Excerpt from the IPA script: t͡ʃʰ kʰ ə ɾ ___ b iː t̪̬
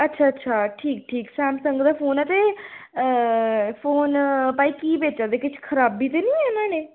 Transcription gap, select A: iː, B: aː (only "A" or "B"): B